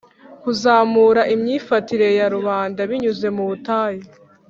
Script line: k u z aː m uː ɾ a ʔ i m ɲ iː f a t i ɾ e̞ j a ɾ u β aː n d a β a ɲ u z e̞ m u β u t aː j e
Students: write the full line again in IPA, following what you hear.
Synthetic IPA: k u z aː m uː ɾ a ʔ i m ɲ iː f a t i ɾ e̞ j a ɾ u β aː n d a β i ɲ u z e̞ m u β u t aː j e

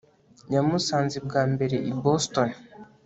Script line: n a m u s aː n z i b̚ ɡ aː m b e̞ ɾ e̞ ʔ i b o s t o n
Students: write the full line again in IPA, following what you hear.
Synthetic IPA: ɲ a m u s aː n z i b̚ ɡ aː m b e̞ ɾ e̞ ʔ i b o s t o n

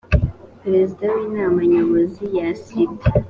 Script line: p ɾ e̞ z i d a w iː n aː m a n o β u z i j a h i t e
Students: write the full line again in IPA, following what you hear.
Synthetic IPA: p ɾ e̞ z i d a w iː n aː m a ɲ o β o z i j a s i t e

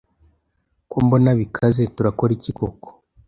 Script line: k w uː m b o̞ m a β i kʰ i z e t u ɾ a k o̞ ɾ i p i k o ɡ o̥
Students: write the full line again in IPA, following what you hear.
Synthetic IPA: k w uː m b o̞ n a β i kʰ a z e t u ɾ a k o̞ ɾ i c i k o k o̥

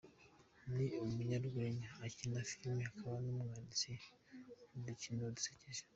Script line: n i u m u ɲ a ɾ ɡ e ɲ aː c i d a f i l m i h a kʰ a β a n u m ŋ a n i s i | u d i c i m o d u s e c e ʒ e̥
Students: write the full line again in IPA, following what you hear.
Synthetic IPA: n i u m u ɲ a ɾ ɡ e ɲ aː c i n a f i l m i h a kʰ a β a n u m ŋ a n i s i | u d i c i n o d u s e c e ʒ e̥

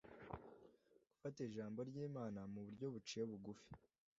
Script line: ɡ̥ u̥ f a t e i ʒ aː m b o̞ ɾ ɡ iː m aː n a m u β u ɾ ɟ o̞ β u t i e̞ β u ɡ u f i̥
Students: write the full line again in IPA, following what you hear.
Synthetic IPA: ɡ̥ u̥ f a t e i ʒ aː m b o̞ ɾ ɟ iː m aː n a m u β u ɾ ɟ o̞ β u t͡ʃ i e̞ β u ɡ u f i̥

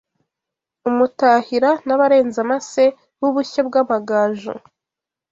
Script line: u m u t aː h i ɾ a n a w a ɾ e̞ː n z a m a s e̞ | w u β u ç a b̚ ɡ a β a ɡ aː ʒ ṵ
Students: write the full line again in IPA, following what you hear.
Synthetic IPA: u m u t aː h i ɾ a n a β a ɾ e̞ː n z a m a s e̞ | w u β u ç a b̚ ɡ a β a ɡ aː ʒ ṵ

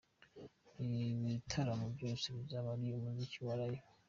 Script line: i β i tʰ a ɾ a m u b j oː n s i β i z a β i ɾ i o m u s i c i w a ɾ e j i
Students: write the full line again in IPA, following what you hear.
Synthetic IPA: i β i tʰ a ɾ a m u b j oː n s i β i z a β a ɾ i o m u z i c i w a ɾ a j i

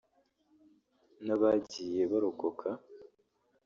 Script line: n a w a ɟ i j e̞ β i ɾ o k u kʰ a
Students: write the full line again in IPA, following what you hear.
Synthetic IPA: n a β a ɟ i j e̞ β a ɾ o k o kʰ a

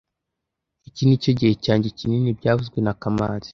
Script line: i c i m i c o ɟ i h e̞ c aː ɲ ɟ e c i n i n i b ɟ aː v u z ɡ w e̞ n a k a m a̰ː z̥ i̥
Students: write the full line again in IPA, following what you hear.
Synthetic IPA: i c i n i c o ɟ i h e̞ c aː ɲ ɟ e c i n i n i b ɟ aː v u z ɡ w e̞ n a k a m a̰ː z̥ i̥

